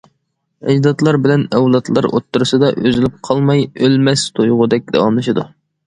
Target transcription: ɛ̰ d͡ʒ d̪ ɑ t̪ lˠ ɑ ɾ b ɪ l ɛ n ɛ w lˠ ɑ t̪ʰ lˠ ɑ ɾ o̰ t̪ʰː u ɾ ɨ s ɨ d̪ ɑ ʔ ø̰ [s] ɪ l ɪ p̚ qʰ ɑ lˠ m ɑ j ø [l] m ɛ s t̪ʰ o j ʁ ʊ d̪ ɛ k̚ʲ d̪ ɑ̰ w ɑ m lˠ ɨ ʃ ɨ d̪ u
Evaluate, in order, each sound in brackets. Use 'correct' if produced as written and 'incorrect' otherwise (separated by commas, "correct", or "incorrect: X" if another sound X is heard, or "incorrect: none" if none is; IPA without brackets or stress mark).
incorrect: z, correct